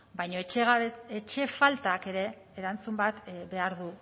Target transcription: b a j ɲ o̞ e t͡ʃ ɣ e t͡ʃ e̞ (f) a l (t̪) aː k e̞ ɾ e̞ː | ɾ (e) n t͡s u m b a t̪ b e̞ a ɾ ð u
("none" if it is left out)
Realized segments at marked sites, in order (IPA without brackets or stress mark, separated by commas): f, t̪, a